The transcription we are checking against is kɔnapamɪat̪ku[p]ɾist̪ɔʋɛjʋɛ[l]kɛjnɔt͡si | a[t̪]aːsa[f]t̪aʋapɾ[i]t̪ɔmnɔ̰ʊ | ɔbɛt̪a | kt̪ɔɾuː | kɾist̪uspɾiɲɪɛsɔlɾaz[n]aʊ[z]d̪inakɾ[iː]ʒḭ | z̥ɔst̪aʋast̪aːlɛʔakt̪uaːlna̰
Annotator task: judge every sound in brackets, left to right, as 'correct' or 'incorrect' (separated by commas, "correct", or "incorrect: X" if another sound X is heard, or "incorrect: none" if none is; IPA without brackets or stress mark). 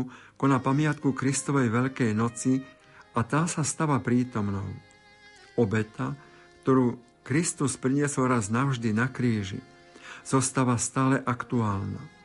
incorrect: k, incorrect: ʎ, correct, incorrect: s, incorrect: iː, correct, incorrect: ʒ, correct